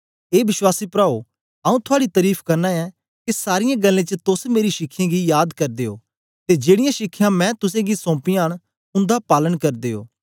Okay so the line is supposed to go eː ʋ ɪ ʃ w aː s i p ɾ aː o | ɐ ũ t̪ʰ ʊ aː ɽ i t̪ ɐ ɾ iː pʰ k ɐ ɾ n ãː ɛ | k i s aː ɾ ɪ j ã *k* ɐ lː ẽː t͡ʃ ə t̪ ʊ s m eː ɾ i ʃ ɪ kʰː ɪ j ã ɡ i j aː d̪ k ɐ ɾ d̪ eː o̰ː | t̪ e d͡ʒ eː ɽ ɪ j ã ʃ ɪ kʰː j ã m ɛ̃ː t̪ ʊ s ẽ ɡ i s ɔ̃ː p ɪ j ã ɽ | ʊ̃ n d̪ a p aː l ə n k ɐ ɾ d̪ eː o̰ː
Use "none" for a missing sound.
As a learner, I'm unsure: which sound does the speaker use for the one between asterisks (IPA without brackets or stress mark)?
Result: ɡ